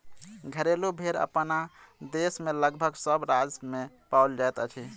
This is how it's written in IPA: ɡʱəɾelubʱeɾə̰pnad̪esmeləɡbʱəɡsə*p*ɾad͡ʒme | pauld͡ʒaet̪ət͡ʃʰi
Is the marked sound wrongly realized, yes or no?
yes